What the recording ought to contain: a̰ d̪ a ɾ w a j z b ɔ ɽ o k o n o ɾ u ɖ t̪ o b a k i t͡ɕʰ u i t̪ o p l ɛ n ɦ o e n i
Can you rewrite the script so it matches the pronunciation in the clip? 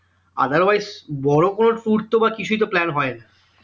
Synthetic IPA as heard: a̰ d̪ a ɾ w a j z b ɔ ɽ o k o n o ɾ u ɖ t̪ o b a k i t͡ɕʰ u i t̪ o p l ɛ n ɦ ɔ e n a